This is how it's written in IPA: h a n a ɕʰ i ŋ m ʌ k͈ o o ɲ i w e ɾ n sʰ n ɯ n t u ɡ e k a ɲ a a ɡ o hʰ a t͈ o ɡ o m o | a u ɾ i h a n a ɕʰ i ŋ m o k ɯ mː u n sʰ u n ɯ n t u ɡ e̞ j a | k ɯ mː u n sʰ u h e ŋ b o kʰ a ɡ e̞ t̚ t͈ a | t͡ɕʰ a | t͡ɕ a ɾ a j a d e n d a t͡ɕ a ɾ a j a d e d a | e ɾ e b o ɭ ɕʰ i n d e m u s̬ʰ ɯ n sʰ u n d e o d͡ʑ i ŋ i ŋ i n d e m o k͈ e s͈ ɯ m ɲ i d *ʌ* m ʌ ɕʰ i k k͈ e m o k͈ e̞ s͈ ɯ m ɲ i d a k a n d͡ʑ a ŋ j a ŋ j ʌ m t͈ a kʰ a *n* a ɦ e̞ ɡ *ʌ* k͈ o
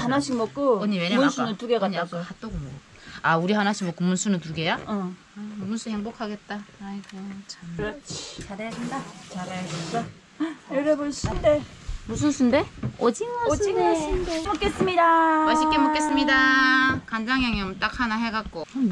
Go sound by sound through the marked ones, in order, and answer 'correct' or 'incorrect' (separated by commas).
incorrect, correct, incorrect